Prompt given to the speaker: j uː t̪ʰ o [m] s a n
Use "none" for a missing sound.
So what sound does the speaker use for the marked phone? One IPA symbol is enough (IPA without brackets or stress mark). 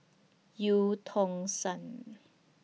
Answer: ŋ